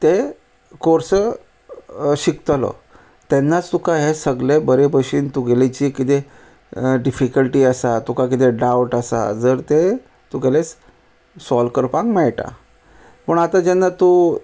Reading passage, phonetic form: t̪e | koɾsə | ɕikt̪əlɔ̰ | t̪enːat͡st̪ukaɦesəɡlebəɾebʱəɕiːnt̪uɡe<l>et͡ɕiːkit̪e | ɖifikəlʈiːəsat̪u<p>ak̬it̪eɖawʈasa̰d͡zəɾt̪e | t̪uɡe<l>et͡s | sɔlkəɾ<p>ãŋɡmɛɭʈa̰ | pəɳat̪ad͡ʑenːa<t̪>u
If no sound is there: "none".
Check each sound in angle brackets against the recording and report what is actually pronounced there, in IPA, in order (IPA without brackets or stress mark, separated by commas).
l, k, l, p, t̪